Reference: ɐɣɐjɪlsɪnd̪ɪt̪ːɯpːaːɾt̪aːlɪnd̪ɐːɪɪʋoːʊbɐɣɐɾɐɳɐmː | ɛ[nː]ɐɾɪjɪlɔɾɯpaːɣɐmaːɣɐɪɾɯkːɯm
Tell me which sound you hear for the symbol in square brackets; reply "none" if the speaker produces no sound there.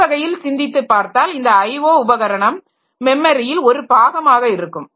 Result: mː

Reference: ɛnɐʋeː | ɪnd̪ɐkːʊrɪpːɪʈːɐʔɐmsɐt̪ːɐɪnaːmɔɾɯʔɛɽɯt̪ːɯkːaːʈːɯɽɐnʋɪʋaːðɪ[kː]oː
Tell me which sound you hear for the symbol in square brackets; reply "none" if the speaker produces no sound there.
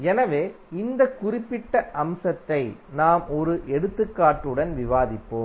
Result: pː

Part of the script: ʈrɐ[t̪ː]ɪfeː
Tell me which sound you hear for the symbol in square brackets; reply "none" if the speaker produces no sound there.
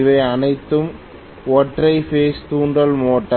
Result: none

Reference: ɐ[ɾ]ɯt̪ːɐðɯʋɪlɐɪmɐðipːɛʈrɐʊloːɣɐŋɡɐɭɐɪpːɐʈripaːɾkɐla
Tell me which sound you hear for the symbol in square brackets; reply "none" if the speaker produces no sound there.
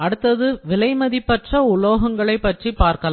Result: ɽ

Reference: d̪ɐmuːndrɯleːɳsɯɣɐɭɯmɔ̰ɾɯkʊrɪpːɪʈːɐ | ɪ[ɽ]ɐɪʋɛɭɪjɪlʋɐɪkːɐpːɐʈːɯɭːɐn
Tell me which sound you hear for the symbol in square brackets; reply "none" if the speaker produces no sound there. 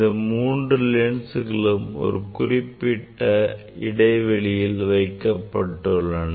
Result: ɽ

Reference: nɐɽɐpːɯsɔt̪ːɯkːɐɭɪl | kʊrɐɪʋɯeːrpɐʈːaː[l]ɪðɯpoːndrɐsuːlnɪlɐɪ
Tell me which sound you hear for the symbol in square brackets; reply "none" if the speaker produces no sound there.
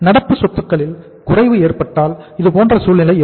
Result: l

